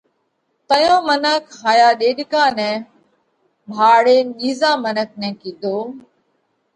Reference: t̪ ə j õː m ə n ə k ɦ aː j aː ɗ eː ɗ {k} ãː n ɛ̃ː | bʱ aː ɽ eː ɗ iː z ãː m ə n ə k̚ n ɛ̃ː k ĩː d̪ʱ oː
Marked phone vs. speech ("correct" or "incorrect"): correct